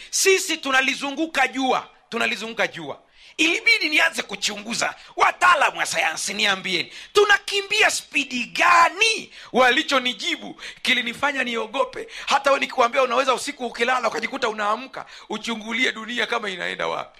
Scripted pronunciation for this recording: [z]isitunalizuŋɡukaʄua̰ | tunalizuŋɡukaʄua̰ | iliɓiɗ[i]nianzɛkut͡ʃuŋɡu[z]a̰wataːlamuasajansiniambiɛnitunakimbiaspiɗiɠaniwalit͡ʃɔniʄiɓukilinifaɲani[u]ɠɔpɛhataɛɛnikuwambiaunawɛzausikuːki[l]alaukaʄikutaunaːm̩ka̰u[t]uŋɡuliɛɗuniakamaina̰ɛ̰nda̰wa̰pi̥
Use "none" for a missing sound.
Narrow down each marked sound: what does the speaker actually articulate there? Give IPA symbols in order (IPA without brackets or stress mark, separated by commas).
s, i, z, ɔ, l, t͡ʃ